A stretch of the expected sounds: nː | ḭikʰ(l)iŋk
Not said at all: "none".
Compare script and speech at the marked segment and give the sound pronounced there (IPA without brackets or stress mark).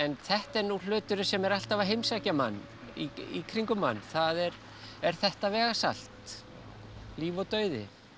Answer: ɾ